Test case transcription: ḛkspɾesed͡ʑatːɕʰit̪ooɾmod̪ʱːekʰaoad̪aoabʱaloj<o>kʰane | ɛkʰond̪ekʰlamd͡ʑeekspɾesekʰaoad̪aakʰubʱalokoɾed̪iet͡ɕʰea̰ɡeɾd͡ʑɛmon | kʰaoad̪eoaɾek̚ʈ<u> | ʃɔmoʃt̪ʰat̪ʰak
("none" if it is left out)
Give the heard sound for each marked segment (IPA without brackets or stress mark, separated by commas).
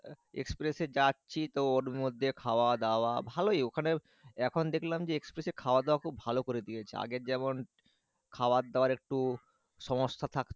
o, u